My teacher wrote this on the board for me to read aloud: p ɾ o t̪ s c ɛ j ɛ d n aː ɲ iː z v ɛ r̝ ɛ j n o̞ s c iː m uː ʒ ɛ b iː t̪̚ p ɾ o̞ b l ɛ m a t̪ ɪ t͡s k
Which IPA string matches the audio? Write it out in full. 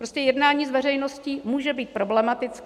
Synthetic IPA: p ɾ o s c ɛ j ɛ d n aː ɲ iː z v ɛ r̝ ɛ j n o̞ s c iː m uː ʒ ɛ b iː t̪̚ p ɾ o̞ b l ɛ m a t̪ ɪ t͡s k